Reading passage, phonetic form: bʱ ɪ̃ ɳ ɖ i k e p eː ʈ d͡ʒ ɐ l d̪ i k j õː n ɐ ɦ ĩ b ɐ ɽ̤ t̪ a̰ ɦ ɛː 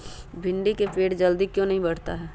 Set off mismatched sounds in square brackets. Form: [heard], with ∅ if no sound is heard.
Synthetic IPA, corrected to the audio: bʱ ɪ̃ ɳ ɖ i k e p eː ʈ d͡ʒ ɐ l d̪ i k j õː n ɐ ɦ ĩ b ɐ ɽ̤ t̪ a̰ ɦ ɛː